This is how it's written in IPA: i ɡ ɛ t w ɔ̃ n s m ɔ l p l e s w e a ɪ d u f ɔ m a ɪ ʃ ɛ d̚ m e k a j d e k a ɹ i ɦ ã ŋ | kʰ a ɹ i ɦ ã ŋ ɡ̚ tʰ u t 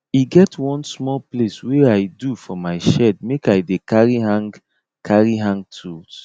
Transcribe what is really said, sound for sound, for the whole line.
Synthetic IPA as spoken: i ɡ ɛ t w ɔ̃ n s m ɔ l p l e s w e a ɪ d u f ɔ m a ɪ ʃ ɛ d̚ m e k a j d e k a ɹ i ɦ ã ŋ | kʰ a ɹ i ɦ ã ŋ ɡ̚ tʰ u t